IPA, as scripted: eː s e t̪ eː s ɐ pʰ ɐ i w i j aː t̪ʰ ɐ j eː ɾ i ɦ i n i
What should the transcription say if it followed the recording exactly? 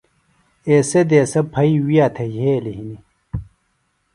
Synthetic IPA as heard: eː s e d̪ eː s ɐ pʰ ɐ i w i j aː t̪ʰ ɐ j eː l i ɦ i n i